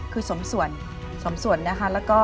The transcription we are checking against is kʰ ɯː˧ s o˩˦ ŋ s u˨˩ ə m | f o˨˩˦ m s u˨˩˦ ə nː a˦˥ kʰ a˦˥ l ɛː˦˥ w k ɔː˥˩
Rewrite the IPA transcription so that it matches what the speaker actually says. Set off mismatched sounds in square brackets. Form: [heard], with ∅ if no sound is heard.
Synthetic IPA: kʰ ɯː˧ s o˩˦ [m] s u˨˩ ə [n] | [s] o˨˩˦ m s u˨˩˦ ə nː a˦˥ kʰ a˦˥ l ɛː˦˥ w k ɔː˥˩